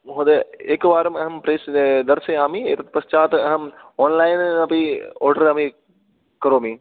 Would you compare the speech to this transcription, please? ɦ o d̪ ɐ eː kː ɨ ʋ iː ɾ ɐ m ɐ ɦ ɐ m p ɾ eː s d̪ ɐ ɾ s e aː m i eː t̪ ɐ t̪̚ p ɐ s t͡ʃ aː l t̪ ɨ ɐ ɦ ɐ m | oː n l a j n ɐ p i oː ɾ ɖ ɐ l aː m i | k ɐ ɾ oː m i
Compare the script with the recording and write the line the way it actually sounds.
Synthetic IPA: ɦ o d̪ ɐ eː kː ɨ ʋ aː ɾ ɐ m ɐ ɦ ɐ m p ɾ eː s d̪ ɐ ɾ s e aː m i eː t̪ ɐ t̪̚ p ɐ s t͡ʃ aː t̪ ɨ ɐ ɦ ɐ m | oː n l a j n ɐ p i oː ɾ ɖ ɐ ɾ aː m i | k ɐ ɾ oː m i